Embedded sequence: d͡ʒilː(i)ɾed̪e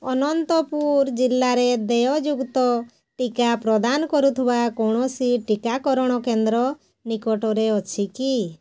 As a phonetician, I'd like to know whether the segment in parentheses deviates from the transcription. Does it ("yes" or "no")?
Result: yes